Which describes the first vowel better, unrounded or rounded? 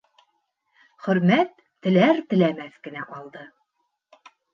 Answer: rounded